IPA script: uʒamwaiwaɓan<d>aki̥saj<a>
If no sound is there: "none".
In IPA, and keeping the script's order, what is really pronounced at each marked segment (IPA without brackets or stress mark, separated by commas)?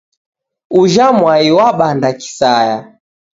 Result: d, a